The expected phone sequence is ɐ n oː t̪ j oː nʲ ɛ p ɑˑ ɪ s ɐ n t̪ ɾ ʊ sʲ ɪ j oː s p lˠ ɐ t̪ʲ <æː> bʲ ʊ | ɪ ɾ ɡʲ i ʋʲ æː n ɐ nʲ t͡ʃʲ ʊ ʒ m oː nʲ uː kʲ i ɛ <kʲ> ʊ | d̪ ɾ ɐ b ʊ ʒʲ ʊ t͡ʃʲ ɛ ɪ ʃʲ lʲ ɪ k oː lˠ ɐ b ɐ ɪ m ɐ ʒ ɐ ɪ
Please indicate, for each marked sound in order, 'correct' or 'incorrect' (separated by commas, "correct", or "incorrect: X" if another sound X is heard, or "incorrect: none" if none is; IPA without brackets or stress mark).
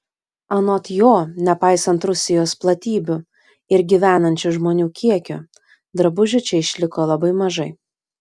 incorrect: iː, correct